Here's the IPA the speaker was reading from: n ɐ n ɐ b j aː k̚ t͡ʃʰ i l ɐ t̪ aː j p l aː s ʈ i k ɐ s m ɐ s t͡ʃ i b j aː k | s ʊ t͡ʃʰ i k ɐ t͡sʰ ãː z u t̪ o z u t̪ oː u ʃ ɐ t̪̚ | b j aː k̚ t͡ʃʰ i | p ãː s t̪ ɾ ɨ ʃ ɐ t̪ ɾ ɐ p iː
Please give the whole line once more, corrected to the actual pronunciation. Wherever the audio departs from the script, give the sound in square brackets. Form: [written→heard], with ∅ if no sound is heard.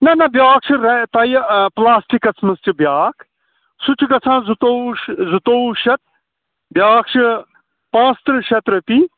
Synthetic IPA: n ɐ n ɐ b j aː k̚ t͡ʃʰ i [l→ɾ] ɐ t̪ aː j p l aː s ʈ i k ɐ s m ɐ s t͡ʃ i b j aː k | s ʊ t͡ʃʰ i k ɐ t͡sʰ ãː z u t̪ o z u t̪ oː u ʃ ɐ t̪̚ | b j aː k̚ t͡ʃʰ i | p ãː s t̪ ɾ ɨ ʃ ɐ t̪ ɾ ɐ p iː